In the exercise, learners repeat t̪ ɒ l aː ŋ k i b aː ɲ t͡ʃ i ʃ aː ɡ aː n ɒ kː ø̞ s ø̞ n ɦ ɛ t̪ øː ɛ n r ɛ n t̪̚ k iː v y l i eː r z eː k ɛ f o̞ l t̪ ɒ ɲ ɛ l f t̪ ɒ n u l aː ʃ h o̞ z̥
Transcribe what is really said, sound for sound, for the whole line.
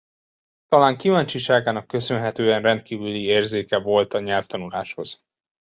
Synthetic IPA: t̪ ɒ l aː ŋ k i v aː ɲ t͡ʃ i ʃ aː ɡ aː n ɒ kː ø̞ s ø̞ n ɦ ɛ t̪ øː ɛ n r ɛ n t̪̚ k iː v y l i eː r z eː k ɛ v o̞ l t̪ ɒ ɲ ɛ l f t̪ ɒ n u l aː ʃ h o̞ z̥